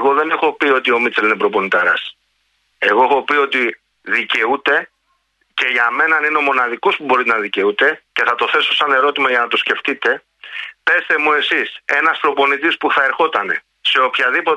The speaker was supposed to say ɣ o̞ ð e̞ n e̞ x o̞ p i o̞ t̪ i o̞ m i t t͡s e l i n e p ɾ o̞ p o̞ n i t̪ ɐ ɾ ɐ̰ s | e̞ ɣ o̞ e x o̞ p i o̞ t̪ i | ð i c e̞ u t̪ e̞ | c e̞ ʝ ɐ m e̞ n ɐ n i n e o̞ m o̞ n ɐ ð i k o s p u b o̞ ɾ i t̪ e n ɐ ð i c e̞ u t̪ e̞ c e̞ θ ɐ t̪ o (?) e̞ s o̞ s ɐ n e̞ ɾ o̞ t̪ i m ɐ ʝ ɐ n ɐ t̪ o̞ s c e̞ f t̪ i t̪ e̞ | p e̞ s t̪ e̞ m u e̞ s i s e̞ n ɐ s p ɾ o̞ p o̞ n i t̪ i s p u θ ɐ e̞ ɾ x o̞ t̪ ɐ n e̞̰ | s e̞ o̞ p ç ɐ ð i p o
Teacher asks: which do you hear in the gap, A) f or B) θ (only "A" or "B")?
B